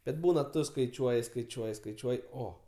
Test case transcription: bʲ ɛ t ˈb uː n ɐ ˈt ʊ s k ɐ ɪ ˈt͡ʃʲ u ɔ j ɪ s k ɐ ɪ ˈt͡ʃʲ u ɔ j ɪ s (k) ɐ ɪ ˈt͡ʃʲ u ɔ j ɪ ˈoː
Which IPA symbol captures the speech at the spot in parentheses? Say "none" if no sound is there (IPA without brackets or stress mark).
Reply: k